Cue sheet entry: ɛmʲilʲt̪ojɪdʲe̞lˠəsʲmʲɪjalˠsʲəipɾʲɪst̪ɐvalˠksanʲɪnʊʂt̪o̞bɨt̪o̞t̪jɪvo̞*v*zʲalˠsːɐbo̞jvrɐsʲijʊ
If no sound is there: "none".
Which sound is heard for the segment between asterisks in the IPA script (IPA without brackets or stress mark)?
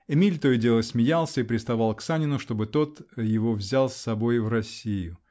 v